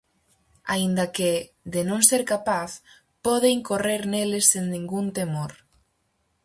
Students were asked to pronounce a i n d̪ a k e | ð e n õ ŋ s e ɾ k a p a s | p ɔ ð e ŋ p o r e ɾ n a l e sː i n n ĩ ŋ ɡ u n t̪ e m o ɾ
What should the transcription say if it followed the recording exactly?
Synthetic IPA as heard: a i n d̪ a k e | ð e n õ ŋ s e ɾ k a p a θ | p ɔ ð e ŋ k o r e ɾ n e l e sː e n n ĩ ŋ ɡ u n t̪ e m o ɾ